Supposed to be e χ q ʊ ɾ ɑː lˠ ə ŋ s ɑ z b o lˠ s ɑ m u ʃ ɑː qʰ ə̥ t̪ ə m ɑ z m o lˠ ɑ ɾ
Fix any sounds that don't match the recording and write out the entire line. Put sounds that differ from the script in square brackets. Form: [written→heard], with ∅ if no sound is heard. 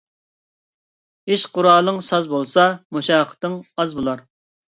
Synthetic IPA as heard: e [χ→ʃ] q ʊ ɾ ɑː lˠ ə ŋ s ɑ z b o lˠ s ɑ m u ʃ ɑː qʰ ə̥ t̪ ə [m→ŋ] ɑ z [m→b] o lˠ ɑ ɾ